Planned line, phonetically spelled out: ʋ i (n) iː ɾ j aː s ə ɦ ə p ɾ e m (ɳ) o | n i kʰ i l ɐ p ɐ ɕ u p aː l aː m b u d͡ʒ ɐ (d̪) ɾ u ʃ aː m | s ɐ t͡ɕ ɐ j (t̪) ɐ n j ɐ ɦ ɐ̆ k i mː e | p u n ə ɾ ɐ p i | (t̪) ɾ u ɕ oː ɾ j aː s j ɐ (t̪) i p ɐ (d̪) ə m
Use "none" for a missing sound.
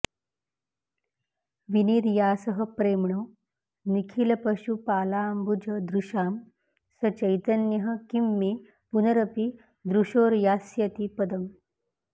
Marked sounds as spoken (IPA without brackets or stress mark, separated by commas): n, ɳ, d̪, t̪, d̪, t̪, d̪